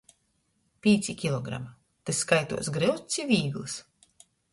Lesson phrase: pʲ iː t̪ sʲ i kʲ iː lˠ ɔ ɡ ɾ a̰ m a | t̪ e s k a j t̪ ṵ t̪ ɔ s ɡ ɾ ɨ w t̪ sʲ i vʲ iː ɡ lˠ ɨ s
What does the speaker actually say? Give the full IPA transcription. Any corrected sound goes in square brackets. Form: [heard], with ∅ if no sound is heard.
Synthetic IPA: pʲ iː t̪ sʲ i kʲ [i] lˠ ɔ ɡ ɾ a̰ m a | t̪ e s k a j t̪ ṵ [∅] ɔ s ɡ ɾ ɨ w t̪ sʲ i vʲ iː ɡ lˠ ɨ s